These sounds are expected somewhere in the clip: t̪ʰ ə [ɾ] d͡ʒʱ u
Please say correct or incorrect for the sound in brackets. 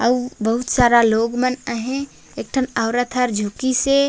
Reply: correct